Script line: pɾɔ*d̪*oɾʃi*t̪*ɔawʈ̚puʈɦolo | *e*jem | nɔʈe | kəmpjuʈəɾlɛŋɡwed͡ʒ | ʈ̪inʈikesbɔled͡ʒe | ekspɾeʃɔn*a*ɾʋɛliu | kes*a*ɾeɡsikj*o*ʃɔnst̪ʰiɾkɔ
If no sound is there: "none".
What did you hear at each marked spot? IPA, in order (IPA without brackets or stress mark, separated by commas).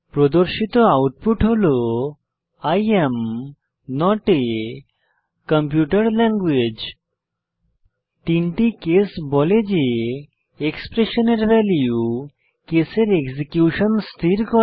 d̪, t̪, a, e, e, u